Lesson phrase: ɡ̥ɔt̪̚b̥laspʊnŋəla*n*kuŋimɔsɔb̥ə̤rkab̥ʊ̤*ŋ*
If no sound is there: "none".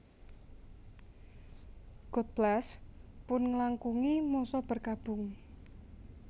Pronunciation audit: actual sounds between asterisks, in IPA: ŋ, ŋ

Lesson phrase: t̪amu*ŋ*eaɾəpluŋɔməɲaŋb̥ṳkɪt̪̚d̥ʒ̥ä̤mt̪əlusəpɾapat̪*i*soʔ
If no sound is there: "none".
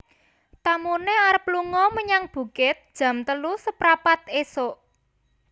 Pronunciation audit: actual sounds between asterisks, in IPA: n, e

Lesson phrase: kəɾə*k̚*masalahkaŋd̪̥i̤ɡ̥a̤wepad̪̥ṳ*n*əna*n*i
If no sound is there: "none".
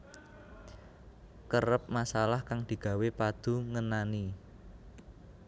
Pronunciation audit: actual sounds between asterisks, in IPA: p̚, ŋ, n

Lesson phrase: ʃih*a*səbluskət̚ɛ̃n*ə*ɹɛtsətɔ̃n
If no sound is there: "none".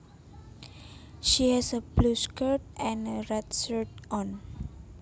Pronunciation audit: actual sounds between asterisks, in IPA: ɛ, ə

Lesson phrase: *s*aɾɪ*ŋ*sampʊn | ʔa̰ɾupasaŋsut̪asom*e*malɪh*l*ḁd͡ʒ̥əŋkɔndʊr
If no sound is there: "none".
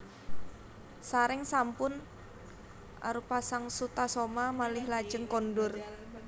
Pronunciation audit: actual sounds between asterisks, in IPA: s, ŋ, a, l

